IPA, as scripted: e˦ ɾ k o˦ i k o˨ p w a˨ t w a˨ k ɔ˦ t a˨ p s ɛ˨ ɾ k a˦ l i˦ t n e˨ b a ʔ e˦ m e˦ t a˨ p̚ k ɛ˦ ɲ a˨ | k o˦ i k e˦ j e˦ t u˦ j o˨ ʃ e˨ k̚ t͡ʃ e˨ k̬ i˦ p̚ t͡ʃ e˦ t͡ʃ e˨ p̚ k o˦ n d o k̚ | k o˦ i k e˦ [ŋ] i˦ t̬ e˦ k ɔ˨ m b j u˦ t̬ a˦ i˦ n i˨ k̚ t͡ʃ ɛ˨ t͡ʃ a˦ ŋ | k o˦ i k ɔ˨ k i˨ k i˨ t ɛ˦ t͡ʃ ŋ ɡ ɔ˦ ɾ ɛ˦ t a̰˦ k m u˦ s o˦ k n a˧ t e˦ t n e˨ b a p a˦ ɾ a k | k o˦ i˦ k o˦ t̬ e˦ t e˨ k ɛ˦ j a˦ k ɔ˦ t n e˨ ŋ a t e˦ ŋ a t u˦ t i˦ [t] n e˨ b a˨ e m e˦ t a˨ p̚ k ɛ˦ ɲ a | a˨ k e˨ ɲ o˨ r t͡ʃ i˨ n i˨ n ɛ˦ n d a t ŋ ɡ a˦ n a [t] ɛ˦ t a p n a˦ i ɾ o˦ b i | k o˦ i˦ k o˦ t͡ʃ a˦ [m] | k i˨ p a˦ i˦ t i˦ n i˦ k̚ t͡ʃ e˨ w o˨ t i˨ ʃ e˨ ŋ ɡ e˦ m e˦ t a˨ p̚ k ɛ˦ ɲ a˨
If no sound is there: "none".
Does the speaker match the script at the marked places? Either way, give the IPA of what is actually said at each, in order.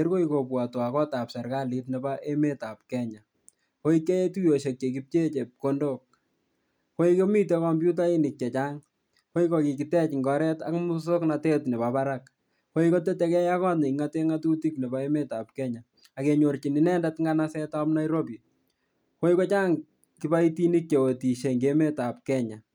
m, k, s, ŋ

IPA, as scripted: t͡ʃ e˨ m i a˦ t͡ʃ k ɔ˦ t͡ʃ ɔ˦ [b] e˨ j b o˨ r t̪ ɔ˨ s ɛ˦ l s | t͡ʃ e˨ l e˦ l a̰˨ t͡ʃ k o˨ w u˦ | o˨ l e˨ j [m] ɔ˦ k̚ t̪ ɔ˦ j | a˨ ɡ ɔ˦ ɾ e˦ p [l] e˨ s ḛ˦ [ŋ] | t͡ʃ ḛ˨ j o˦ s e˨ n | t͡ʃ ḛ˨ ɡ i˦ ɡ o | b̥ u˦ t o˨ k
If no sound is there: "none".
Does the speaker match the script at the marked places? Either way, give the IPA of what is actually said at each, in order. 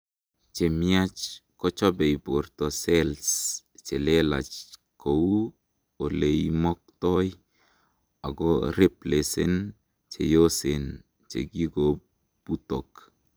b, m, l, n

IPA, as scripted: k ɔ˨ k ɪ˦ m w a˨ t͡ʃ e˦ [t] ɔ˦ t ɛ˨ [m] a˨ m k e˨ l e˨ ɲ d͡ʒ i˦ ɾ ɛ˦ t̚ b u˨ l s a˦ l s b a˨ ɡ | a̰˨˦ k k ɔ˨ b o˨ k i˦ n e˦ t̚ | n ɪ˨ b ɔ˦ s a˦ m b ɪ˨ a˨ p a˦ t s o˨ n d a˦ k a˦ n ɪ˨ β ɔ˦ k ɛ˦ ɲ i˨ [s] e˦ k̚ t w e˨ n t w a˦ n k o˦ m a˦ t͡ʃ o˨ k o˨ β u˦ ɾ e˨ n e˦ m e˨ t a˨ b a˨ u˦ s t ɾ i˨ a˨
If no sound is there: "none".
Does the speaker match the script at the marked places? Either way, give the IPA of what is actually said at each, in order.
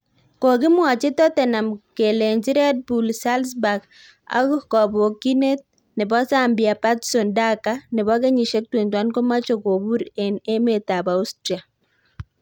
t, n, ʃ

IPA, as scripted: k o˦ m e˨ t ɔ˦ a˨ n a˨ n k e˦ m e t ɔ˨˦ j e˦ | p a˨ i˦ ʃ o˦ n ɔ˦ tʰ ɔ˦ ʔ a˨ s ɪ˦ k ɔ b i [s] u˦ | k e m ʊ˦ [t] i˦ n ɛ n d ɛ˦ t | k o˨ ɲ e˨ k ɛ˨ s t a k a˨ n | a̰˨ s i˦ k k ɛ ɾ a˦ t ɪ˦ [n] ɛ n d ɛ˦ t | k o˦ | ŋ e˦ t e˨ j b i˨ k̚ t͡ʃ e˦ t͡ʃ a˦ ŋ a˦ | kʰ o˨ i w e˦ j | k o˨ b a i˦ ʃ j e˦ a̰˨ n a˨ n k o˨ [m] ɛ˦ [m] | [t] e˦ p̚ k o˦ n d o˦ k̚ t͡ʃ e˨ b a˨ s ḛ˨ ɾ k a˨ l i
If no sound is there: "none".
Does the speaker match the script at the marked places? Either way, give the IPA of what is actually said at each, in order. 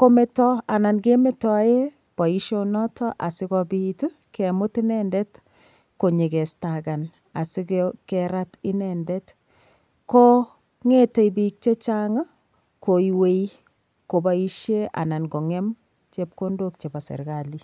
t, t, n, ŋ, m, t͡ʃ

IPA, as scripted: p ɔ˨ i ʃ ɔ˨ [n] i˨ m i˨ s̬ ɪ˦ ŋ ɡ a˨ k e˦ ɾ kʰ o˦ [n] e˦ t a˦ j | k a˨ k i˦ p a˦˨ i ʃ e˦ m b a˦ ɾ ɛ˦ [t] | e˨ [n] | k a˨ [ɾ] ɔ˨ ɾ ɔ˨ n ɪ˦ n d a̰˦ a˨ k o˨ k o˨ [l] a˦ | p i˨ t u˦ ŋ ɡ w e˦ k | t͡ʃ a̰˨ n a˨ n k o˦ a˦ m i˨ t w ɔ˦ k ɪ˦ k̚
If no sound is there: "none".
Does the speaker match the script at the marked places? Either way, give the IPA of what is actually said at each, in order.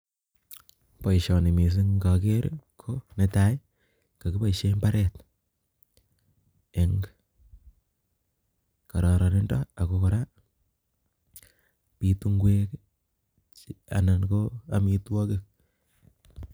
n, n, t, ŋ, ɾ, ɾ

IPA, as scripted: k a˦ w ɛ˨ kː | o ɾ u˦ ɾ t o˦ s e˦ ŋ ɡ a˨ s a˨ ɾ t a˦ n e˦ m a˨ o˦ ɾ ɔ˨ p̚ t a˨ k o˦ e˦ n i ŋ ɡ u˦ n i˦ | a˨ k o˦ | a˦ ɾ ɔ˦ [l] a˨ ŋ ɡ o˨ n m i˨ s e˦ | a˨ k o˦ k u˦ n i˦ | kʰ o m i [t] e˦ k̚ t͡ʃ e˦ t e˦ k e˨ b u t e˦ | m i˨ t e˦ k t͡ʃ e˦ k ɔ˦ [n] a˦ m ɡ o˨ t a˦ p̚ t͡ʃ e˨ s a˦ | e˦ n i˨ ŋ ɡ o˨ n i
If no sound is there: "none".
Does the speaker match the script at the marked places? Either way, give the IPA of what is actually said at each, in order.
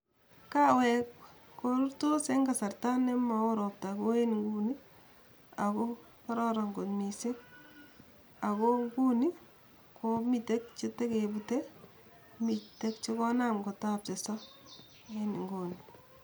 ɾ, t, n

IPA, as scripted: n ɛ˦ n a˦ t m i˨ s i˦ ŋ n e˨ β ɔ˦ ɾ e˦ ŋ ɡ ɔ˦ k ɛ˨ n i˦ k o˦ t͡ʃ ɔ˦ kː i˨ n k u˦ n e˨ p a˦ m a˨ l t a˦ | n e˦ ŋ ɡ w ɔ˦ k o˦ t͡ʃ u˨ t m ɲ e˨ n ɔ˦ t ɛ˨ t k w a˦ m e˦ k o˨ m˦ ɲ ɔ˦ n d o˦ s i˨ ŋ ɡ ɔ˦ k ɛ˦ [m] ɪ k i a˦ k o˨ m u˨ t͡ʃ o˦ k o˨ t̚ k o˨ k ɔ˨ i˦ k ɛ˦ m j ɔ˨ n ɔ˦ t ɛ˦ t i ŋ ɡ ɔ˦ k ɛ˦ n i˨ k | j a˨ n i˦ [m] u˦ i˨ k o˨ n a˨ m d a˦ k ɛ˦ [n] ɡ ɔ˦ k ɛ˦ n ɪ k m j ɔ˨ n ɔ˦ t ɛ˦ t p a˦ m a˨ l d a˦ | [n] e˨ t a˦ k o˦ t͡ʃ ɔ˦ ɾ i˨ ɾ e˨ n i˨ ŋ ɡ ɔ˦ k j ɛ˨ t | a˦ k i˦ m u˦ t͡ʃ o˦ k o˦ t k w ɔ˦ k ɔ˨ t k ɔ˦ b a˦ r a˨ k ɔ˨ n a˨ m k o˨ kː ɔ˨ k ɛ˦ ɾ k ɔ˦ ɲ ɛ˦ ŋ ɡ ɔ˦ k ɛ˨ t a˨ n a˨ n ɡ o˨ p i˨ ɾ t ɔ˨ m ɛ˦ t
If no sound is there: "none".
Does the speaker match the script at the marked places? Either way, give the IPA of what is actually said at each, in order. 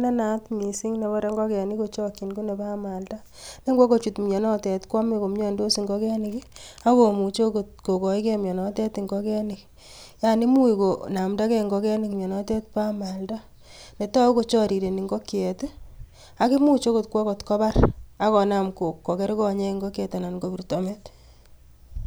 n, m, ŋ, n

